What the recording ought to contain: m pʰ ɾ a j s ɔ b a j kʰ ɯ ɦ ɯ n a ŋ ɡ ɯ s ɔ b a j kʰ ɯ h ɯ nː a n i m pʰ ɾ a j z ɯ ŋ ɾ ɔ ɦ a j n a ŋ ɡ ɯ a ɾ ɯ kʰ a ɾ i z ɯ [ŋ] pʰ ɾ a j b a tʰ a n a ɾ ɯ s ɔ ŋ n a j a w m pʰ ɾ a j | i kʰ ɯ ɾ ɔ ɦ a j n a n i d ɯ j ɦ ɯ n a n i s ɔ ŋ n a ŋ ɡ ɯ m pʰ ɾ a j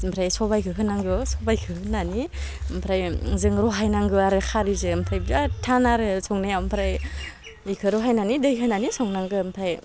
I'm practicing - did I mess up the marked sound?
yes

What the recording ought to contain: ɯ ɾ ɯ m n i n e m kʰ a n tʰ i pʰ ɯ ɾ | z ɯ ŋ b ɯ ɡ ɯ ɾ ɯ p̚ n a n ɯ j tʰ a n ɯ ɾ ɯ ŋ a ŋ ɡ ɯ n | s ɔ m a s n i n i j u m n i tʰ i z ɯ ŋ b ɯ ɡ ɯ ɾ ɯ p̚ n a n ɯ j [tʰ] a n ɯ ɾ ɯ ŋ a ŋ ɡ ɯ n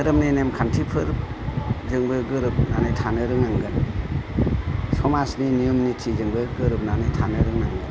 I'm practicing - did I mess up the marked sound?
no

